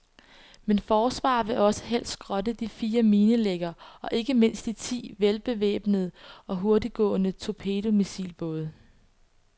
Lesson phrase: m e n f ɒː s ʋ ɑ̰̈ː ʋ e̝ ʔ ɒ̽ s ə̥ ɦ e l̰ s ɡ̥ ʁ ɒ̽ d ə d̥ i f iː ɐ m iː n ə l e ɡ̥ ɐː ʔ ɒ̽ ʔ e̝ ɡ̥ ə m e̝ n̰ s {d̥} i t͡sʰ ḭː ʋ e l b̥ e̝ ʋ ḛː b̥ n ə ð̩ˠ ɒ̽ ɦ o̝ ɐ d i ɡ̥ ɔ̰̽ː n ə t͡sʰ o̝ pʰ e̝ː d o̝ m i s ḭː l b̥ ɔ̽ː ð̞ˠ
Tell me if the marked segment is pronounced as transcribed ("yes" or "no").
yes